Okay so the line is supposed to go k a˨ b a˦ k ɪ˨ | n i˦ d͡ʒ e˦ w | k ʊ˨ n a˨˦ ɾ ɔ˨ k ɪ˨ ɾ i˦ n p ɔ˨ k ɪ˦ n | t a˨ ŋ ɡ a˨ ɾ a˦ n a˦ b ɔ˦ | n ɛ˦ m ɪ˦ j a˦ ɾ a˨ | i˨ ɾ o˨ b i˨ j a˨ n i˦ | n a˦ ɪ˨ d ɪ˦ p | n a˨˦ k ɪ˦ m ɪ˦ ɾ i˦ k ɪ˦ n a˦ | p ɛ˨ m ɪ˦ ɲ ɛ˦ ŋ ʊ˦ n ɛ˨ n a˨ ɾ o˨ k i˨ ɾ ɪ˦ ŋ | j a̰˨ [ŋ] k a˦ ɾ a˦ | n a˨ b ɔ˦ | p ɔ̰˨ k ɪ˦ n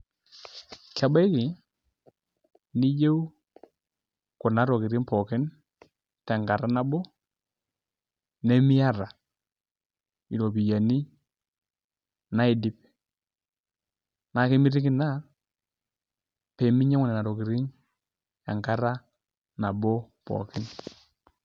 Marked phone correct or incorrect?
correct